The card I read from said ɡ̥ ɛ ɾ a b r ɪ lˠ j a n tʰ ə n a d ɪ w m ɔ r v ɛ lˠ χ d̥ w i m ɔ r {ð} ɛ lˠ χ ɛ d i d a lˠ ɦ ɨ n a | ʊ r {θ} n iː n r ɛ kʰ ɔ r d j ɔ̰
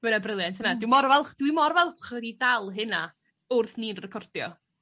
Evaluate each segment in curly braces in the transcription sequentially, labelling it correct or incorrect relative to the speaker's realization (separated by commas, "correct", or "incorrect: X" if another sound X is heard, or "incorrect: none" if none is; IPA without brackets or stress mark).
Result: incorrect: v, correct